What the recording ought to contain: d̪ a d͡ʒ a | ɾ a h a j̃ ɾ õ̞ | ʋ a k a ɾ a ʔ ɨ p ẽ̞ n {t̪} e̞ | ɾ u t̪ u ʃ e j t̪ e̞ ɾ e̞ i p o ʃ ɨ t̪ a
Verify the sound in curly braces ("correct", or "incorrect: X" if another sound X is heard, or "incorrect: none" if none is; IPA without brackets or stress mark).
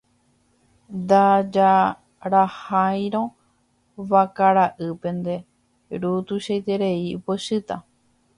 incorrect: d̪